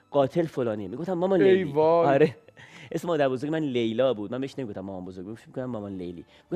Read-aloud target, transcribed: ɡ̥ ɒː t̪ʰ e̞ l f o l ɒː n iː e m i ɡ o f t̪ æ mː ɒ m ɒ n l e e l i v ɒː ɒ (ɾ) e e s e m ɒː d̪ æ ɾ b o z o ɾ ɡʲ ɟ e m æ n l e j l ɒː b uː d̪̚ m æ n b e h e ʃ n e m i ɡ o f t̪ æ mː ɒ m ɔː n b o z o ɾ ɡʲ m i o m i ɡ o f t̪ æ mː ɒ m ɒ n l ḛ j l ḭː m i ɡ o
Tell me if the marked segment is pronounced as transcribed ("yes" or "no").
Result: yes